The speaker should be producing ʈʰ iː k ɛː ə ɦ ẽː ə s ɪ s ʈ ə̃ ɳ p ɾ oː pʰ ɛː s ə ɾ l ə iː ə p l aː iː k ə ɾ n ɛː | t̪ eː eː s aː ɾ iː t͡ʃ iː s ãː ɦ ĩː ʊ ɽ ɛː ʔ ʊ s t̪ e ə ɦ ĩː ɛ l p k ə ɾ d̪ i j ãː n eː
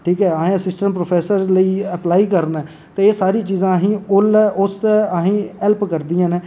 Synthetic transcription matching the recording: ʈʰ iː k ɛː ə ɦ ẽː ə s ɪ s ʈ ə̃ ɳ p ɾ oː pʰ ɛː s ə ɾ l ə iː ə p l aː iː k ə ɾ n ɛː | t̪ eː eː s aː ɾ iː t͡ʃ iː z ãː ɦ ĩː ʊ l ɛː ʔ ʊ s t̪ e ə ɦ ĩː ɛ l p k ə ɾ d̪ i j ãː n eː